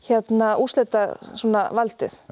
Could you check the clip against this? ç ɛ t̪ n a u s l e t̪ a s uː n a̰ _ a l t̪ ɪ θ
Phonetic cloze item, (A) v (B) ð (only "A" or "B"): A